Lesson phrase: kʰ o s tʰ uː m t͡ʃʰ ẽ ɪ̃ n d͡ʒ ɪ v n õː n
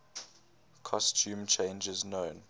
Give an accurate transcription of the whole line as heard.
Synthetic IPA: kʰ ɔ s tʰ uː m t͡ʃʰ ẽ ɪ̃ n d͡ʒ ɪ z n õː n